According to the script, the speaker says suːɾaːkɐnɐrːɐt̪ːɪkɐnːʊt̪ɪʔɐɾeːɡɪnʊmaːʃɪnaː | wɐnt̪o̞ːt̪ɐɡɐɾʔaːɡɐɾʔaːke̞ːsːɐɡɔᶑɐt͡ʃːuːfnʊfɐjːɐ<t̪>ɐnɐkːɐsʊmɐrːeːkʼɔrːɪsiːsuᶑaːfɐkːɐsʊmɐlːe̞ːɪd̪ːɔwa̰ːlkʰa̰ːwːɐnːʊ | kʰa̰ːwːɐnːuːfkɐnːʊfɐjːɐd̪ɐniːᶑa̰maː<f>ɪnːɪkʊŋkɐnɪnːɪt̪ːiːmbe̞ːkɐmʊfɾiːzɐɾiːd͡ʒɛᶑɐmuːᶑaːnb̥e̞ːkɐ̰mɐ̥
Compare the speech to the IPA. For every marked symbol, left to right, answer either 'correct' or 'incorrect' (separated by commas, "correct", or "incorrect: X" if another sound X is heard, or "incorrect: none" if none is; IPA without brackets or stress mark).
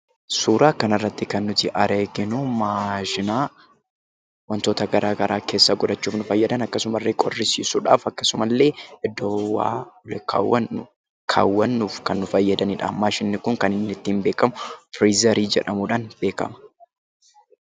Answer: incorrect: d̪, incorrect: ʃ